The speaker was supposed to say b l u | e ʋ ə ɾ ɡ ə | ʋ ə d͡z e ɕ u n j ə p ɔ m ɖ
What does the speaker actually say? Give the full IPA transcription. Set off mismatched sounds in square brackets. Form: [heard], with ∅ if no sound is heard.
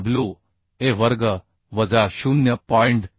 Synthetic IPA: b l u | e ʋ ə ɾ ɡ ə | ʋ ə d͡z [a] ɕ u n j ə p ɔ [ɳ] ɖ